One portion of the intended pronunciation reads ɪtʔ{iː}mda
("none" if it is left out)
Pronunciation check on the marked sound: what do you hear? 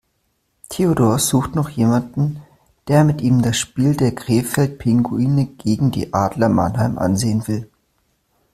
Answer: iː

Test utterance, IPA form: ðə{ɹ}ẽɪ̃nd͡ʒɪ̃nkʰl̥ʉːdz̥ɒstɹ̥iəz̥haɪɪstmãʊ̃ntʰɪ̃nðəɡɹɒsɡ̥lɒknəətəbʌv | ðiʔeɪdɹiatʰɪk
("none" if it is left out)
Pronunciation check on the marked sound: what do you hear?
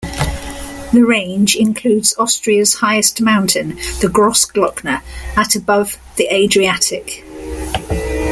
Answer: ɹ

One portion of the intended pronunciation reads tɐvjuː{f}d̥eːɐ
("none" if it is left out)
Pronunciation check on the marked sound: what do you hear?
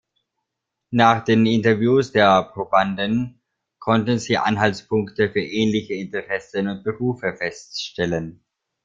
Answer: s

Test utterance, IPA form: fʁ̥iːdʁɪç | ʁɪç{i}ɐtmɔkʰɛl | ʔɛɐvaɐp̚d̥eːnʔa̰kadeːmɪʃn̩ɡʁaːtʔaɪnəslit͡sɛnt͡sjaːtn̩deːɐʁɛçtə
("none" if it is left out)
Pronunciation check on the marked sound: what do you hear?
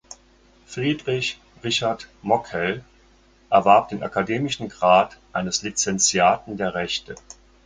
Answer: a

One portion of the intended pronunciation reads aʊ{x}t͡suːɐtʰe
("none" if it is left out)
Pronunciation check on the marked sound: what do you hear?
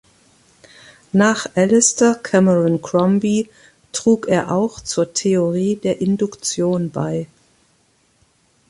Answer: x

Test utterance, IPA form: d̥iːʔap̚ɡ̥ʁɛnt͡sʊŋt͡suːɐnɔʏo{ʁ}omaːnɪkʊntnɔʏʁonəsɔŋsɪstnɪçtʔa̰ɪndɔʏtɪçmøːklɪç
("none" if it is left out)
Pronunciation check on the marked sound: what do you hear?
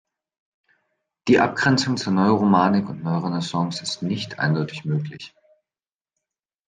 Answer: ʁ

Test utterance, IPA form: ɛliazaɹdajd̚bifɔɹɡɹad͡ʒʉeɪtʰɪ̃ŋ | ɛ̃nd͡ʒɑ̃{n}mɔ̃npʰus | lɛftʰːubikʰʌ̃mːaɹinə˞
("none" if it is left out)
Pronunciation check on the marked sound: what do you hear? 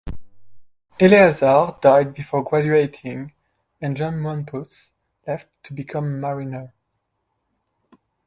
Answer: n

